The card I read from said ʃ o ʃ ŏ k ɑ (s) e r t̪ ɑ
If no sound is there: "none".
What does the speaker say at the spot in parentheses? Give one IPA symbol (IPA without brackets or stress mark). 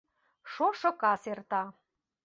s